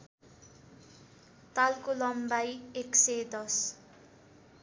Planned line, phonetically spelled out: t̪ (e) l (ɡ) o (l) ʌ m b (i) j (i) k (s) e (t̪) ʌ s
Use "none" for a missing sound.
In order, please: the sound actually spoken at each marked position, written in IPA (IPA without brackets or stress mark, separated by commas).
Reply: a, k, l, a, e, s, d̪